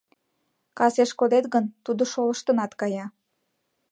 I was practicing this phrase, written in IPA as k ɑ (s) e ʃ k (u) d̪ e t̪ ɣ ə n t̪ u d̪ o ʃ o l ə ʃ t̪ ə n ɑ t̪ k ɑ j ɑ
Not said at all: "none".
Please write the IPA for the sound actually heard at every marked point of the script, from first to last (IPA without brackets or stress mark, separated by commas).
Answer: s, o